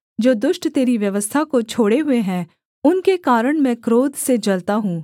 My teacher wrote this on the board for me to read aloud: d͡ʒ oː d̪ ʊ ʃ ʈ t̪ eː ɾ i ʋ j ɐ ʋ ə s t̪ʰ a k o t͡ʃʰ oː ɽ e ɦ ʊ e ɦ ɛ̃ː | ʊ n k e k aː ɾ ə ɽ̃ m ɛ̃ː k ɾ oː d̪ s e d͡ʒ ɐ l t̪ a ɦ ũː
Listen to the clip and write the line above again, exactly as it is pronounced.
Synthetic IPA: d͡ʒ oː d̪ ʊ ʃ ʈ t̪ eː ɾ i ʋ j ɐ ʋ ə s t̪ʰ a k o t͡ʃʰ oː ɽ e ɦ ʊ e ɦ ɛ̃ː | ʊ n k e k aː ɾ ə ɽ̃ m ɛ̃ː k ɾ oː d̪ s e d͡ʒ ɐ l t̪ a ɦ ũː

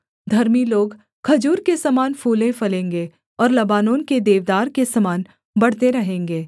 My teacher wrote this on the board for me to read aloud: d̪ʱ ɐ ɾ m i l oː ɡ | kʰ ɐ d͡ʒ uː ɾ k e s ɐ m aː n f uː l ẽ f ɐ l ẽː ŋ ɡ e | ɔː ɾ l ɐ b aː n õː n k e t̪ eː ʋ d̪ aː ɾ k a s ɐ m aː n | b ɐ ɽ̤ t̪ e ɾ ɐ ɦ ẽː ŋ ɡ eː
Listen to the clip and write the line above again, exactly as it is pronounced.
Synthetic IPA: d̪ʱ ɐ ɾ m i l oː ɡ | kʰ ɐ d͡ʒ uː ɾ k e s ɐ m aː n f uː l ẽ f ɐ l ẽː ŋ ɡ e | ɔː ɾ l ɐ b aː n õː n k e d̪ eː ʋ d̪ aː ɾ k e s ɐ m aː n | b ɐ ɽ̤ t̪ e ɾ ɐ ɦ ẽː ŋ ɡ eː

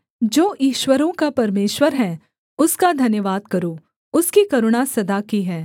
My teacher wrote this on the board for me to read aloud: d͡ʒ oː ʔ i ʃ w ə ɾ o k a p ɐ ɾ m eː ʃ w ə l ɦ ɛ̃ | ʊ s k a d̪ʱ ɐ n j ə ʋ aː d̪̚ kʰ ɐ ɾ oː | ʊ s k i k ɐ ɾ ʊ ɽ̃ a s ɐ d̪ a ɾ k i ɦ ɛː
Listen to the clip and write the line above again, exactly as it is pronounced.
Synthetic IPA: d͡ʒ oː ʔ iː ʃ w ə ɾ õ k a p ɐ ɾ m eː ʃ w ə ɾ ɦ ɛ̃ | ʊ s k a d̪ʱ ɐ n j ə ʋ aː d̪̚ k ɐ ɾ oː | ʊ s k i k ɐ ɾ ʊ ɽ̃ a s ɐ d̪ a k i ɦ ɛː

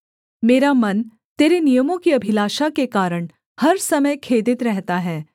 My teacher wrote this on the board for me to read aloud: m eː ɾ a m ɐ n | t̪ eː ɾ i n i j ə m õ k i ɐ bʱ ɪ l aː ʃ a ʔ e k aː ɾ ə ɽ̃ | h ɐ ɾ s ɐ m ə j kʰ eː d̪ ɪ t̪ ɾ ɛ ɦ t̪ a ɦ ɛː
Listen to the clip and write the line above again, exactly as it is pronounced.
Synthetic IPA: m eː ɾ a m ɐ n | t̪ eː ɾ e n i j ə m õ k i ɐ bʱ ɪ l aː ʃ a k e k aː ɾ ə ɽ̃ | h ɐ ɾ s ɐ m ə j kʰ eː d̪ ɪ t̪ ɾ ɛ ɦ t̪ a ɦ ɛː

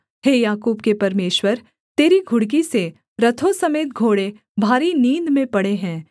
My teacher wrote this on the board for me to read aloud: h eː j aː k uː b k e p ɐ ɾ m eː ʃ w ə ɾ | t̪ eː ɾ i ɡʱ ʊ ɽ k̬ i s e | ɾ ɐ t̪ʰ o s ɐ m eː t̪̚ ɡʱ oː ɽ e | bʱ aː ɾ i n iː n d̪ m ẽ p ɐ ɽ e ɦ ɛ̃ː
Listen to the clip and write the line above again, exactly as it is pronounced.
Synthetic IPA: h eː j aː k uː b k e p ɐ ɾ m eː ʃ w ə ɾ | t̪ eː ɾ i ɡʱ ʊ ɽ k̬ i s e | ɾ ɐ t̪ʰ o s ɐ m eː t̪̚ ɡʱ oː ɽ e | bʱ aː ɾ i n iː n d̪ m ẽ p ɐ ɽ e ɦ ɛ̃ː

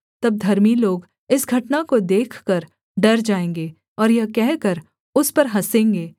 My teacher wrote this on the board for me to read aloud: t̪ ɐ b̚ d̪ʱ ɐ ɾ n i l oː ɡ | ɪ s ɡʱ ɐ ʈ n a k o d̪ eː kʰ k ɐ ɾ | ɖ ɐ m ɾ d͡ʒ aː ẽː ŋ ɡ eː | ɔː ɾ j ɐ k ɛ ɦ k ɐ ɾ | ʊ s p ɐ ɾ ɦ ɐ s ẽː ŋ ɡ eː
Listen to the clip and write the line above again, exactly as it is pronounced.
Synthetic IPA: t̪ ɐ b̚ d̪ʱ ɐ ɾ m i l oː ɡ | ɪ s ɡʱ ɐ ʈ n a k o d̪ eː kʰ k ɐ ɾ | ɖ ɐ ɾ d͡ʒ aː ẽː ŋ ɡ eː | ɔː ɾ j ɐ k ɛ ɦ k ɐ ɾ | ʊ s p ɐ ɾ ɦ ɐ s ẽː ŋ ɡ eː

